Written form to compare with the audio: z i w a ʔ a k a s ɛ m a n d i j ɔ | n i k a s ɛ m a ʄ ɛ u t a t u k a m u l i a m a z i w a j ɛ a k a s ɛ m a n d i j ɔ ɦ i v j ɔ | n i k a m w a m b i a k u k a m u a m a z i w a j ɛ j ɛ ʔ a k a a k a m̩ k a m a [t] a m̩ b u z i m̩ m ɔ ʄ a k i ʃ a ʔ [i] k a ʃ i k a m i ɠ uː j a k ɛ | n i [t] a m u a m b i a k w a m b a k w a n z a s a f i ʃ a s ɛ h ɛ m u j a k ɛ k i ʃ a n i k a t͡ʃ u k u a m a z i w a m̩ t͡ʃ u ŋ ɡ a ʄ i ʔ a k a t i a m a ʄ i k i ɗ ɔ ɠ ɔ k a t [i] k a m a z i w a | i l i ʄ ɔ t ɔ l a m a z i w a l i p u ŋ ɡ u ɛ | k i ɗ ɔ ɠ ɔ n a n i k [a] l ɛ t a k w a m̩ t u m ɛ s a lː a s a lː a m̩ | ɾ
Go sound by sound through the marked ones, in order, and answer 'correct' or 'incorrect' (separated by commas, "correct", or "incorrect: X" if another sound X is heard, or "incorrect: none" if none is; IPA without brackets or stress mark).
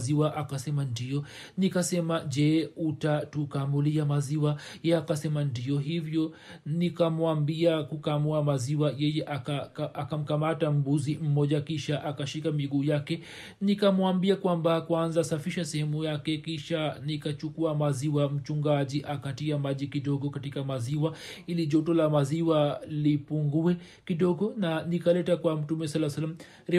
correct, incorrect: a, incorrect: k, correct, correct